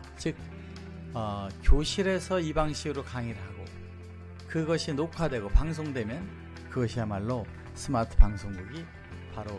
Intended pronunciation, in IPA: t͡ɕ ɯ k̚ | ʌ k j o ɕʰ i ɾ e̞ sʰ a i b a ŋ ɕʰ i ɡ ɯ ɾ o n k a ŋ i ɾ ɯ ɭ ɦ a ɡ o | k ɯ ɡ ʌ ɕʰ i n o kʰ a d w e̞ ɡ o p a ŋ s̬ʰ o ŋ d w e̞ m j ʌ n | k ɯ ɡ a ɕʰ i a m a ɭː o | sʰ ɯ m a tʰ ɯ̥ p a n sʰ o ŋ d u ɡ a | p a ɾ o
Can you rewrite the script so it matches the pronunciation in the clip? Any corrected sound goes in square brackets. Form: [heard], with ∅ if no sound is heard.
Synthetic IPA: t͡ɕ ɯ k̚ | ʌ k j o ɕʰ i ɾ e̞ sʰ [ʌ] i b a ŋ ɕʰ i ɡ ɯ ɾ o [∅] k a ŋ i ɾ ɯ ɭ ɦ a ɡ o | k ɯ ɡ ʌ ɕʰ i n o kʰ a d w e̞ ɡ o p a ŋ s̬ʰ o ŋ d w e̞ m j ʌ n | k ɯ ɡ [ʌ] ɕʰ i a m a ɭː o | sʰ ɯ m a tʰ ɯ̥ p a [ŋ] sʰ o ŋ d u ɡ [i] | p a ɾ o